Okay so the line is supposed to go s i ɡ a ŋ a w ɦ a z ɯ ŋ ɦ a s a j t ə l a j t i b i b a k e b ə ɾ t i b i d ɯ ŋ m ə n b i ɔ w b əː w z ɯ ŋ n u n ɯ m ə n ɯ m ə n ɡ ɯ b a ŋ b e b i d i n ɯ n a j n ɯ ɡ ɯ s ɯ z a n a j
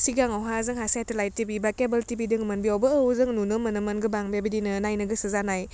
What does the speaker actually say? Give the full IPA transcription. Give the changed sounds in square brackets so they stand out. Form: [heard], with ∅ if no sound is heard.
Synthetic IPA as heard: s i ɡ a ŋ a w ɦ a z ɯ ŋ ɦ a s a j t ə l a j t i b i b a k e b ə [l] t i b i d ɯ ŋ m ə n b i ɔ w b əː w z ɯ ŋ n u n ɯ m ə n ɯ m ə n ɡ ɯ b a ŋ b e b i d i n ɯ n a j n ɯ ɡ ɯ s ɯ z a n a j